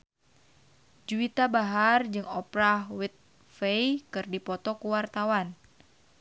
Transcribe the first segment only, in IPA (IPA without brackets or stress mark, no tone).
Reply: d͡ʒ